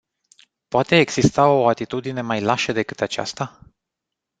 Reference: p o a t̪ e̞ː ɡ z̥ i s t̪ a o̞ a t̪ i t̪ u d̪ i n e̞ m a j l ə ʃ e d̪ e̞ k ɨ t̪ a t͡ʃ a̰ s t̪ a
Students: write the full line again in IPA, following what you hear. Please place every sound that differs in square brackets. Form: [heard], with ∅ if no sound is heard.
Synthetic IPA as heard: p o a t̪ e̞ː ɡ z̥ i s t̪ a o̞ a t̪ i t̪ u d̪ i n e̞ m a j l [a] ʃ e d̪ e̞ k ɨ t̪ a t͡ʃ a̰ s t̪ a